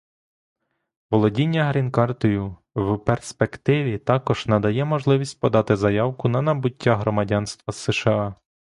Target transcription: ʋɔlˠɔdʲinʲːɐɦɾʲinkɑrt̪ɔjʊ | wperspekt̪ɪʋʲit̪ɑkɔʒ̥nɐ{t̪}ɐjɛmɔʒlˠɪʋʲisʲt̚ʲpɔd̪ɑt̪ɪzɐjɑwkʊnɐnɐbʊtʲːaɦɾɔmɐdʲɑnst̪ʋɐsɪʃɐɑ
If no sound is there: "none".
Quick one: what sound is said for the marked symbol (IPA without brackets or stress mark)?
d̪